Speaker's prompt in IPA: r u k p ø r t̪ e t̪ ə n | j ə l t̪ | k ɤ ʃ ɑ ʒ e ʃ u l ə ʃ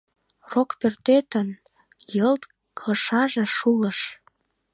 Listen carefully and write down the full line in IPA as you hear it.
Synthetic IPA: r o k p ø r t̪ e t̪ ə n | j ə l t̪ | kʰ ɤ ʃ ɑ ʒ e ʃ u l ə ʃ

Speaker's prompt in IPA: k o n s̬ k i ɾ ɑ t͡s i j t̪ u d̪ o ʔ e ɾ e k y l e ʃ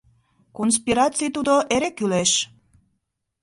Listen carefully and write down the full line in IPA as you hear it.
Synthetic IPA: k o n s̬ p i ɾ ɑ t͡s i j t̪ u d̪ o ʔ e ɾ e k y l e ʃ

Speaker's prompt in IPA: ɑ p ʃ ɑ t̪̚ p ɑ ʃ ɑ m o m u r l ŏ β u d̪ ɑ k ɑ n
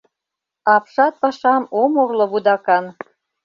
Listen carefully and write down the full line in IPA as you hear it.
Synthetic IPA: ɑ p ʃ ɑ t̪̚ p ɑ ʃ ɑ m o m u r l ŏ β u d̪ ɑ k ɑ n

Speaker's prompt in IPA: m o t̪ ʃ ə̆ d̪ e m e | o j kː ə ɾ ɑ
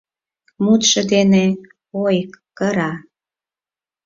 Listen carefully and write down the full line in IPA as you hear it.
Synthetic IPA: m u t̪ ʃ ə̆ d̪ e n e | o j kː ə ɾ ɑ

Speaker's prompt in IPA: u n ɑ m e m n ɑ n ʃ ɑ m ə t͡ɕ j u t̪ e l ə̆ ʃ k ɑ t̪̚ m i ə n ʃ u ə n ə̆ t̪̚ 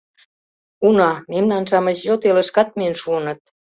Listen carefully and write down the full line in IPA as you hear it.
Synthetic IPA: u n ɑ m e m n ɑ n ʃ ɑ m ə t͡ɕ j o t̪ e l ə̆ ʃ k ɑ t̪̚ m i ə n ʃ u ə n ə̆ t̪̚

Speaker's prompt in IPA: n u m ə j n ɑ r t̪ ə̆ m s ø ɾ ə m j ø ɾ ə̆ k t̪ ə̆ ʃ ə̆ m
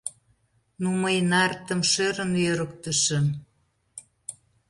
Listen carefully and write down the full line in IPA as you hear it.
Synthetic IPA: n u m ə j n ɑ r t̪ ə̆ m ʃ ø ɾ ə n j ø ɾ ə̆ k t̪ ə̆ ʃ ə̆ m

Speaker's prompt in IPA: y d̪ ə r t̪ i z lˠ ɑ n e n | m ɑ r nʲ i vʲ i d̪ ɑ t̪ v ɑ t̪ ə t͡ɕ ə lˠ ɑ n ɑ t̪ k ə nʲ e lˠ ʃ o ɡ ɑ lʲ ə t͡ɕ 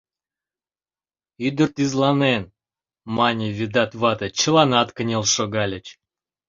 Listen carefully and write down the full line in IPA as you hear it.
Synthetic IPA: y d̪ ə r t̪ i z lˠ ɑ n e n | m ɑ nʲ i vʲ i d̪ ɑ t̪ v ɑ t̪ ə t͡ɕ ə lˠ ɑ n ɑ t̪ k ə nʲ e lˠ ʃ o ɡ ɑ lʲ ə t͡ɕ

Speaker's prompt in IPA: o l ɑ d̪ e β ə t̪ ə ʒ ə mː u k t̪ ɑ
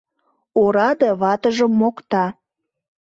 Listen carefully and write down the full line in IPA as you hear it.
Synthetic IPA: o ɾ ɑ d̪ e β ɑ t̪ ə ʒ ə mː o k t̪ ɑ

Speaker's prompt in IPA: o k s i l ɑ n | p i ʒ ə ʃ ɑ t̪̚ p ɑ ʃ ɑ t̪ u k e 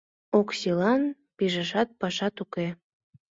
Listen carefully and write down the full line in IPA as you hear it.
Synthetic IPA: o k s i l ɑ n | p i ʒ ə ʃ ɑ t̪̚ p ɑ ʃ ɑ t̪ u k e

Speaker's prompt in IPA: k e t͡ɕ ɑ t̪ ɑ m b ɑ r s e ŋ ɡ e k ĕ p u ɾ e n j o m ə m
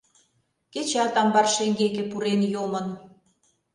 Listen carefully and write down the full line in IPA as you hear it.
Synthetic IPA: k e t͡ɕ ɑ t̪ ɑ m b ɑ r ʃ e ŋ ɡ e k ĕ p u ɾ e n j o m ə n

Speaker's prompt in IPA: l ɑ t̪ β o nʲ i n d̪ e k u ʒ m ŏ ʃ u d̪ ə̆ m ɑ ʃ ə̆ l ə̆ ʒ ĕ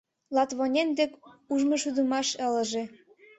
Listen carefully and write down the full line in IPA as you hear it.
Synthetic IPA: l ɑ t̪ β o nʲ e n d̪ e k u ʒ m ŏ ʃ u d̪ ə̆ m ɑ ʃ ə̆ l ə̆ ʒ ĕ

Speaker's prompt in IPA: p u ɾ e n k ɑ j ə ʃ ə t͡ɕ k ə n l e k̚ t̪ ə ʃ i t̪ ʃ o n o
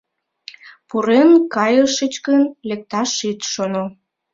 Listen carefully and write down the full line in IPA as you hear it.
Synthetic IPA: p u ɾ e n k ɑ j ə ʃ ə t͡ɕ k ə n l e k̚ t̪ ɑ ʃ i t̪ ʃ o n o

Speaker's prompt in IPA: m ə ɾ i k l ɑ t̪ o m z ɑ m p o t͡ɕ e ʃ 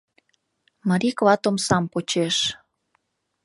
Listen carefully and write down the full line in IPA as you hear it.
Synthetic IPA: m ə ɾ i k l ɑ t̪ o m s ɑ m p o t͡ɕ e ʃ

